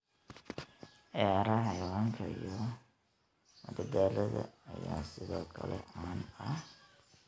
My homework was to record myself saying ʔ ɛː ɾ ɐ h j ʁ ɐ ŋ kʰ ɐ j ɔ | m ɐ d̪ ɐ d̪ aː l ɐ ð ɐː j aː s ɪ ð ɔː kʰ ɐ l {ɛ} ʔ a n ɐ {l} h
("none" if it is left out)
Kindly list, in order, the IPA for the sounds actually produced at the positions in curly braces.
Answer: ɛ, none

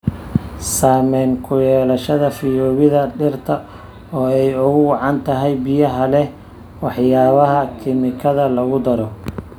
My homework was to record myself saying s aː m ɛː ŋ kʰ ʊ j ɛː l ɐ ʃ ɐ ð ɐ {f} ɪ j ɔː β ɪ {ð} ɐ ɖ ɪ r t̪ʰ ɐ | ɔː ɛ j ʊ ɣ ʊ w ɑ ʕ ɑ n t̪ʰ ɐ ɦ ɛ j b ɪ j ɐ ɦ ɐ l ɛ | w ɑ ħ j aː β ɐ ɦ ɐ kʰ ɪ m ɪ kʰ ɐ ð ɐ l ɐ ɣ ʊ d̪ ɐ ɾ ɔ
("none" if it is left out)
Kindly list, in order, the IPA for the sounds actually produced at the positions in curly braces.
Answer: f, ð

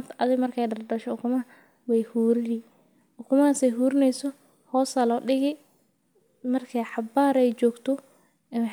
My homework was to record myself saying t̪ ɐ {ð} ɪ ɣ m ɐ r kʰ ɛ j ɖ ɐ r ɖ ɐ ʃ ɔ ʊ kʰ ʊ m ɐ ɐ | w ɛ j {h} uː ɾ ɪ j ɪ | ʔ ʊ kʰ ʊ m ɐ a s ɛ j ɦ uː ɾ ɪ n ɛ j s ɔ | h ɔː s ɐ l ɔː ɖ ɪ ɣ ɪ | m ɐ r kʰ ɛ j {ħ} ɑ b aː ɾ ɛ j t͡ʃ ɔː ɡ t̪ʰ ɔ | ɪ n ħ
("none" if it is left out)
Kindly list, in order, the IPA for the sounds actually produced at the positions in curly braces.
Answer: ð, h, ħ

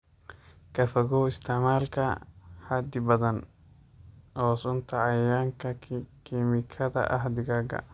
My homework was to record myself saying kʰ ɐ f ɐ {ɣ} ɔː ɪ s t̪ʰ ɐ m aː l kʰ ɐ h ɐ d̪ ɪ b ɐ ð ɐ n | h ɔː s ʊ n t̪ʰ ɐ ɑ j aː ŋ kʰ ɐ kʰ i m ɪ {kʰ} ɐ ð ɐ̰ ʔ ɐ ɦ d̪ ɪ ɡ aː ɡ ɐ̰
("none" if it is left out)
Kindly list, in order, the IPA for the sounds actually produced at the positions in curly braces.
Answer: ɣ, kʰ

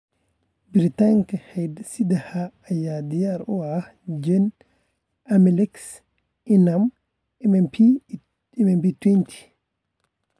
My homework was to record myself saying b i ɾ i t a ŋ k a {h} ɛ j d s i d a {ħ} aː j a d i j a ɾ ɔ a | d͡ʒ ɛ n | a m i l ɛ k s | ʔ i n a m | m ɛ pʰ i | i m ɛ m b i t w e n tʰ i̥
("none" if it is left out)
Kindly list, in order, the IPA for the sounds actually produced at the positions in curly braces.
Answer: h, h

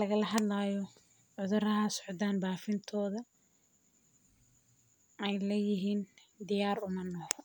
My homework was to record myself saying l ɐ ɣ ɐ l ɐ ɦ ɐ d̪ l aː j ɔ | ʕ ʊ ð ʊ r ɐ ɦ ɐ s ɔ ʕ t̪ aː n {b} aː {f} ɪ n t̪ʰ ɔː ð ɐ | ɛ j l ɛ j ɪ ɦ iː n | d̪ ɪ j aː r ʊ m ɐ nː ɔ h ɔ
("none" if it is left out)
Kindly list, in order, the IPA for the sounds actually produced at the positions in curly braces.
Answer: b, f

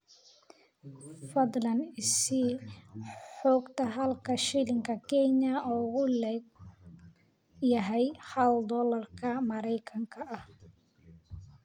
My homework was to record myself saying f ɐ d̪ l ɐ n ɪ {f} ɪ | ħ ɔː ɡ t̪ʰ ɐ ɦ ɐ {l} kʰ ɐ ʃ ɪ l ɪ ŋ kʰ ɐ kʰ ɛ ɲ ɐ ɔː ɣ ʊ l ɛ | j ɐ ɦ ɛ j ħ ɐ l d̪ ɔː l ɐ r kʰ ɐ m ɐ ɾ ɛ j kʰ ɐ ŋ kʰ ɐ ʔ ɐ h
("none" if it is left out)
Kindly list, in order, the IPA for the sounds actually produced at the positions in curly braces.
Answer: s, l

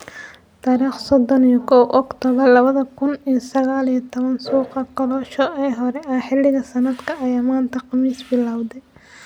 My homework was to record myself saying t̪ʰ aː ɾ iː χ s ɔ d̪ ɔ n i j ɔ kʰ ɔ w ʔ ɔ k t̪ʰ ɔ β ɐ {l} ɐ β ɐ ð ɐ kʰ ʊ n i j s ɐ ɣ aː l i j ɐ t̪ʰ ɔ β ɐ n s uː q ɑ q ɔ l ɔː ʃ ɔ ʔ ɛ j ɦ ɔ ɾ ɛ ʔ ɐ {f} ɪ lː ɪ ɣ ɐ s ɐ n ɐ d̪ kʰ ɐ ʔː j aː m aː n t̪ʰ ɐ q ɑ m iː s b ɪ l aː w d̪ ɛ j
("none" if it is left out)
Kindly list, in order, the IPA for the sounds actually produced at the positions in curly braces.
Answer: l, ħ

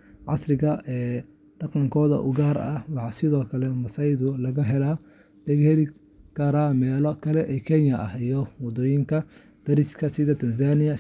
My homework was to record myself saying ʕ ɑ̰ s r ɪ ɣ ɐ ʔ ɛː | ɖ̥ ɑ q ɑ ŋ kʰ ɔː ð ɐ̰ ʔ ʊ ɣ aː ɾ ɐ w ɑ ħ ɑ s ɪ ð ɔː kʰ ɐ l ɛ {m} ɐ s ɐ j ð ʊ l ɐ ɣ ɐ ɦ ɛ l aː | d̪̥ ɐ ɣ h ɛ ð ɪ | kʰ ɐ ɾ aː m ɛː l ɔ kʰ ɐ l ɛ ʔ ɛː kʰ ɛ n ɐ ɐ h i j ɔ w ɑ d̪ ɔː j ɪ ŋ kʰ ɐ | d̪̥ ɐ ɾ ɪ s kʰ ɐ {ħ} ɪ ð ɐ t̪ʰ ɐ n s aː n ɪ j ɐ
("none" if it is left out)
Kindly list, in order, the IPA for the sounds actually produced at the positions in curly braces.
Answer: m, s

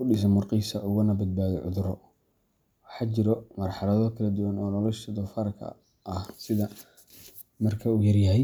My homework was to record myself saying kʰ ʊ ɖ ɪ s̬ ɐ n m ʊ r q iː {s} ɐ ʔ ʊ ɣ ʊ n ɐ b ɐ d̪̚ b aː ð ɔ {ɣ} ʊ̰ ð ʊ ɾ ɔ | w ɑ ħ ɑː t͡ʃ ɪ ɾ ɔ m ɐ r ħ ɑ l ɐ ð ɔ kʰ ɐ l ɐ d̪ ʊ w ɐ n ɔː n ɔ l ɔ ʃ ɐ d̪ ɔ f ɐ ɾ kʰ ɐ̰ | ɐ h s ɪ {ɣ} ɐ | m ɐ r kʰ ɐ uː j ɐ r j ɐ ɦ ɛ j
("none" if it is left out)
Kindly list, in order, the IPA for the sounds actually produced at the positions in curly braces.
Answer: s, ʕ, ð

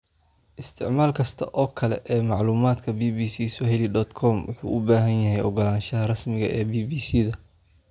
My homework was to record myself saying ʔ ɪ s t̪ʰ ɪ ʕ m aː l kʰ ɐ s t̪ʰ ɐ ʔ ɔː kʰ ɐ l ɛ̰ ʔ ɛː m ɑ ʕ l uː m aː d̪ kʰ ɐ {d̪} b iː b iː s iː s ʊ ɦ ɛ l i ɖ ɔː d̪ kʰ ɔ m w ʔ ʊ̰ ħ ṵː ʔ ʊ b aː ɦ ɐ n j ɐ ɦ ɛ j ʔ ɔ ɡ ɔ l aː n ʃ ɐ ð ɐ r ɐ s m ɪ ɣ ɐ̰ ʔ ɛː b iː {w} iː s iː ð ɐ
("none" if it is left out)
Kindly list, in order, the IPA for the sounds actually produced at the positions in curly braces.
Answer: none, b

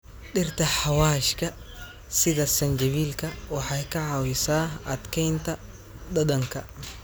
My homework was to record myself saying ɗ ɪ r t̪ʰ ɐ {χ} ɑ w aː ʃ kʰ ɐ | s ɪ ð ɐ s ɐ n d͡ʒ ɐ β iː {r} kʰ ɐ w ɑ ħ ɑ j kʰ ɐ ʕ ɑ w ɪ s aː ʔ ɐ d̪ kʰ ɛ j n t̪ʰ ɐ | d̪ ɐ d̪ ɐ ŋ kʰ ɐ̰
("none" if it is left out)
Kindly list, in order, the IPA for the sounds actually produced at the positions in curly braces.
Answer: ħ, l

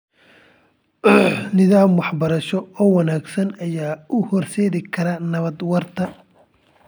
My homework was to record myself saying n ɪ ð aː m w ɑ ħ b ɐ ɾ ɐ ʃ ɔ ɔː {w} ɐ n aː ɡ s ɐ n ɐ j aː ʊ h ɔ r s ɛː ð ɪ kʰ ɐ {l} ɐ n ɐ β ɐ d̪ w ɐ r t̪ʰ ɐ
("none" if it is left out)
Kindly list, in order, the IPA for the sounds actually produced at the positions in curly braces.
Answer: w, ɾ

